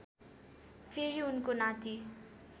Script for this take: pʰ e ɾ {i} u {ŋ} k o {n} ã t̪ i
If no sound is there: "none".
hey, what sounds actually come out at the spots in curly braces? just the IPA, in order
i, n, n

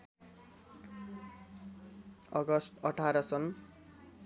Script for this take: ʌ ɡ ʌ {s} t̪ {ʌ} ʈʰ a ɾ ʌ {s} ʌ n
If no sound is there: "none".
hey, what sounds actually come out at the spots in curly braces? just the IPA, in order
s, ʌ, s

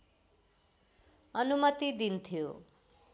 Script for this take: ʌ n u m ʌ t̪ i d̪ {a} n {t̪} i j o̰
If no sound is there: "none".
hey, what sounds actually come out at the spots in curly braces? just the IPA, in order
i, t̪ʰ

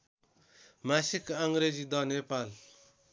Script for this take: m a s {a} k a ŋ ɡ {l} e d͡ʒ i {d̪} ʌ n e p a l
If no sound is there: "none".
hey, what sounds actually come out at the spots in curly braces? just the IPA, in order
i, ɾ, d̪

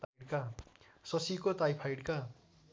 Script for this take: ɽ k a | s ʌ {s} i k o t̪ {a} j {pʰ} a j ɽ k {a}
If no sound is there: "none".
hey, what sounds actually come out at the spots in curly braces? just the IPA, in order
s, a, pʰ, a

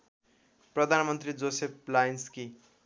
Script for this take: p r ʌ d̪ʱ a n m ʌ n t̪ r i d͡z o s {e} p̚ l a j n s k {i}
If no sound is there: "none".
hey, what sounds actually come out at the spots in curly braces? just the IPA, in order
e, i

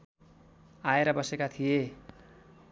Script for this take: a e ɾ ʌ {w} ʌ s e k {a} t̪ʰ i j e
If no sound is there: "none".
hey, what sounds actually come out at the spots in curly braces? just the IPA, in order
b, a

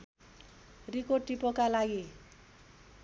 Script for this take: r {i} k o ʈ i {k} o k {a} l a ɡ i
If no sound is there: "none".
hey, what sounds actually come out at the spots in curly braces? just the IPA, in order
i, p, a

